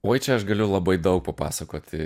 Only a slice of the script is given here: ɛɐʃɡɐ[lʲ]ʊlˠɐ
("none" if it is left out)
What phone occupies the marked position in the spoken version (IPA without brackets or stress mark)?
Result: lʲ